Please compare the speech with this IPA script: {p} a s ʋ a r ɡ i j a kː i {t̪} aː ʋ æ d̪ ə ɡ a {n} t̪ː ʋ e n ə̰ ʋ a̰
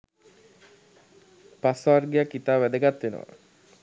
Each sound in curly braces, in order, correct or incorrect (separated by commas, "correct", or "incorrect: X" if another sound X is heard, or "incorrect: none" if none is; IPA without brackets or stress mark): correct, correct, incorrect: none